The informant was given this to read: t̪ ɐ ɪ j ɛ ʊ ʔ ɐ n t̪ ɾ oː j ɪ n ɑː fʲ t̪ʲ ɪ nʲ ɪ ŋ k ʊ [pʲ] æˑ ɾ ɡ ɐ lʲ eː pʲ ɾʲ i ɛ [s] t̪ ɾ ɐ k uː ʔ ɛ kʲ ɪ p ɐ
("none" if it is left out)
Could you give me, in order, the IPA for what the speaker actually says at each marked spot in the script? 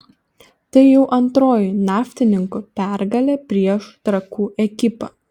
pʲ, ʃ

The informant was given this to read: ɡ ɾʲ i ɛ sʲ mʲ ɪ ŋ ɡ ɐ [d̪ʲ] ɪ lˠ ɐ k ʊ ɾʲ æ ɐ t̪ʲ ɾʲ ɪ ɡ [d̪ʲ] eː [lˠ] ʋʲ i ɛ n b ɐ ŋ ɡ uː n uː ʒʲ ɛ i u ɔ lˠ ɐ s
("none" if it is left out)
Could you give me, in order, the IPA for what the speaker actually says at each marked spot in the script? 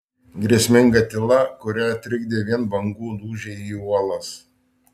t̪ʲ, d̪ʲ, none

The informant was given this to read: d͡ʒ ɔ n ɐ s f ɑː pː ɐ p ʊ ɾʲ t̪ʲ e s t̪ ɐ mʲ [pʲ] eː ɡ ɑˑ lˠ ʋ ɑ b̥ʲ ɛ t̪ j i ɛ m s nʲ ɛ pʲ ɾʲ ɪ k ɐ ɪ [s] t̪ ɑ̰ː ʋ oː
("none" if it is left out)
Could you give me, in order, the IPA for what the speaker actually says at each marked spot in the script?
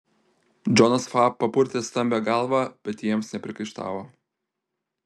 bʲ, ʃ

